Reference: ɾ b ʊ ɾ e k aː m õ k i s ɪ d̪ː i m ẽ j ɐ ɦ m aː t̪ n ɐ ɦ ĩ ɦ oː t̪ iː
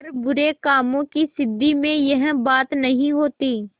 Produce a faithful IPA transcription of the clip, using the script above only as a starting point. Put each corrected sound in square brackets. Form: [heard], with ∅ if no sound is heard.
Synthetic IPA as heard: ɾ b ʊ ɾ e k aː m õ k i s ɪ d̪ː i m ẽ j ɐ ɦ [b] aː t̪ n ɐ ɦ ĩ ɦ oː t̪ iː